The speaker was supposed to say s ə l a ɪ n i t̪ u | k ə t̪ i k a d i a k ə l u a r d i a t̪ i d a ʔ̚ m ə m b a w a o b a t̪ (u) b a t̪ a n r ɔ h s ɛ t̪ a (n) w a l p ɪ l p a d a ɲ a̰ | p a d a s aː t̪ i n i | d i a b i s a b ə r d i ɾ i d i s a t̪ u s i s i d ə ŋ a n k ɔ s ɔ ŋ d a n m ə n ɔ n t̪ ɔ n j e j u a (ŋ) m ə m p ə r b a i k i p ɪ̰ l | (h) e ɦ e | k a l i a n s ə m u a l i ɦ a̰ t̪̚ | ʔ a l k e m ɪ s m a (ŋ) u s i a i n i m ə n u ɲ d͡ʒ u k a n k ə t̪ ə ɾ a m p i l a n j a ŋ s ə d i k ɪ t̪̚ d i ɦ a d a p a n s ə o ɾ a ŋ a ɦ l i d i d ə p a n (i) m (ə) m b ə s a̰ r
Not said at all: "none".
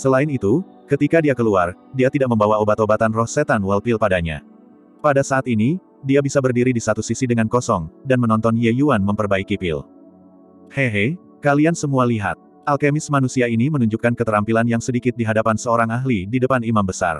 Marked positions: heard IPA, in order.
o, n, n, h, n, i, a

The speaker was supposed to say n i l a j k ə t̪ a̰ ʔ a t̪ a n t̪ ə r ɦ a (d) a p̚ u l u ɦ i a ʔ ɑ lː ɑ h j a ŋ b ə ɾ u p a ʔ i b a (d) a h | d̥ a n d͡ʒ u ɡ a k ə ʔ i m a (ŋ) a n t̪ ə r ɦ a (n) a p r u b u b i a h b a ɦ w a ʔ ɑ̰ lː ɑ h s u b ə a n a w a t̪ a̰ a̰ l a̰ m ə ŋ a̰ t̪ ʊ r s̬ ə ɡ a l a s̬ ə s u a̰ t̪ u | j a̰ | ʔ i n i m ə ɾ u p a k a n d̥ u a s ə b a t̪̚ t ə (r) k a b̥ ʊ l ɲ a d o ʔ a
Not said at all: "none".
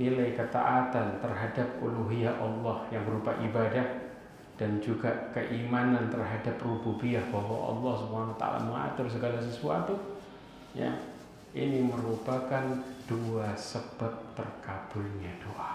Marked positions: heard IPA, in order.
d, d, n, d, r

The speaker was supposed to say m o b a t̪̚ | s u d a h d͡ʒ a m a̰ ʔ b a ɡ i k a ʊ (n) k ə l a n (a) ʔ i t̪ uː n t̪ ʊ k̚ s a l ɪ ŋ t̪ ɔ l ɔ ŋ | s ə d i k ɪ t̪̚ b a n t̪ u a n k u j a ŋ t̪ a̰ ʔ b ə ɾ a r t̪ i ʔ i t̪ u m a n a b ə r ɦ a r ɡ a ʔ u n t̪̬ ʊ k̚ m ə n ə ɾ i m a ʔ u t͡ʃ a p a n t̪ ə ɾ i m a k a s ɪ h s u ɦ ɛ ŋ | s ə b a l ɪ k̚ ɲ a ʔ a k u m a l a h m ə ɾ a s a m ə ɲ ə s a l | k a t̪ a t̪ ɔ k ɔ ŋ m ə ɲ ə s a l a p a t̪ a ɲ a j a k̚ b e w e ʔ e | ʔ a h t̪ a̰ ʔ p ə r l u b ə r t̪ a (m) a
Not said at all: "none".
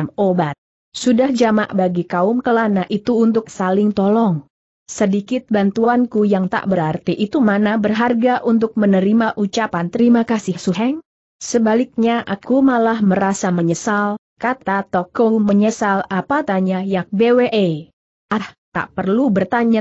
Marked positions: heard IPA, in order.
m, a, ɲ

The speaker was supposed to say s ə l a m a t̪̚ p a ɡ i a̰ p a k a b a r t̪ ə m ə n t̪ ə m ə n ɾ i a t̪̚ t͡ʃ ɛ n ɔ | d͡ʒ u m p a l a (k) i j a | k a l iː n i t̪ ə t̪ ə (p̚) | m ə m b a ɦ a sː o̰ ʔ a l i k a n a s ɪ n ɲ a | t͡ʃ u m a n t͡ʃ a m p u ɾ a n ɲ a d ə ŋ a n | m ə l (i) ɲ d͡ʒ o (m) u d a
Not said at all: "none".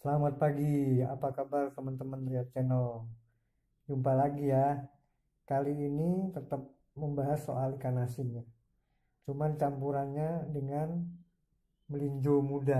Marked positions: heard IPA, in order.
ɡ, p̚, i, m

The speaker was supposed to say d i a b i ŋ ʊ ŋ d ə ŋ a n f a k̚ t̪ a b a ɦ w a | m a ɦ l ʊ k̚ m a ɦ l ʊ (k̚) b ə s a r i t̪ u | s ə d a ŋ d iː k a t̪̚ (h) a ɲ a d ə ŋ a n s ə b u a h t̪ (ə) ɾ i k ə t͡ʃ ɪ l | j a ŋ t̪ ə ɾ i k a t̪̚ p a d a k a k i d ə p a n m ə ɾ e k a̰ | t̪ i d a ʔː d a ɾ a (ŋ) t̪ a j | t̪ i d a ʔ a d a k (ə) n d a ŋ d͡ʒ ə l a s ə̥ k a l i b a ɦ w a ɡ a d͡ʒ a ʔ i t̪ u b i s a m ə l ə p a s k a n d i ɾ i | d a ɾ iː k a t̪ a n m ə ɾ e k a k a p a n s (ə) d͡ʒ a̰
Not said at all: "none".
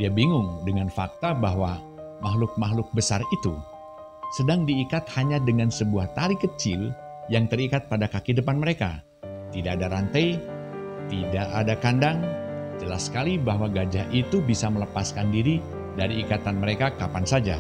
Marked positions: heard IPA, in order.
k̚, h, a, n, a, a

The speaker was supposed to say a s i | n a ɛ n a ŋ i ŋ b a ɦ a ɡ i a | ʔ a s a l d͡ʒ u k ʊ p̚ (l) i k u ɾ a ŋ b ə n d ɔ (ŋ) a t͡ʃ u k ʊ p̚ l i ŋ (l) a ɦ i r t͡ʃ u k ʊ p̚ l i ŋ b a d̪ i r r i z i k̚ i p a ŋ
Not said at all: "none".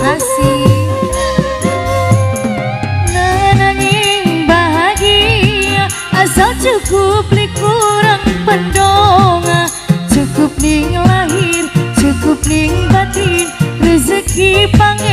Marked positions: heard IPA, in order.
l, ŋ, l

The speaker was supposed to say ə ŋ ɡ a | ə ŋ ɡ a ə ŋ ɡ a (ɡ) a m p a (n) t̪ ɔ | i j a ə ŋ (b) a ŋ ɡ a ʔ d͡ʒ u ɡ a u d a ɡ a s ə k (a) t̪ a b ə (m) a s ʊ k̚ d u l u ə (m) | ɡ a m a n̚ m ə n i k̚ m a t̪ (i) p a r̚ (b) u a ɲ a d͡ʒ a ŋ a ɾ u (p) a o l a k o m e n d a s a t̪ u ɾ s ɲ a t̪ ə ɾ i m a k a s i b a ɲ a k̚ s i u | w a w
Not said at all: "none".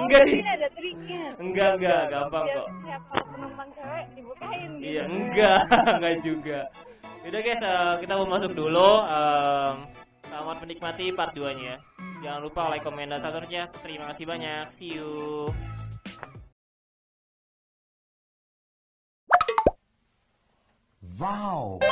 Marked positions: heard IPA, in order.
ɡ, ŋ, ɡ, i, m, m, i, d, p

